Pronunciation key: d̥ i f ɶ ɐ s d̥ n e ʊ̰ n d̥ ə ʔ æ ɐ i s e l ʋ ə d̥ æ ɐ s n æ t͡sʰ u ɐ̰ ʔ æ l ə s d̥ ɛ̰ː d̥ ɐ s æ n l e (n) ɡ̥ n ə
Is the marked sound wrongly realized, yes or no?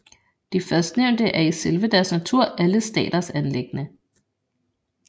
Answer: yes